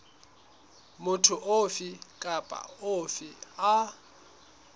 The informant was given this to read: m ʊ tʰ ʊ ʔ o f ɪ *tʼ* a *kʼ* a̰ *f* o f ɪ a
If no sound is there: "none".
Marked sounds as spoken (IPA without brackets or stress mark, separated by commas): kʼ, pʼ, none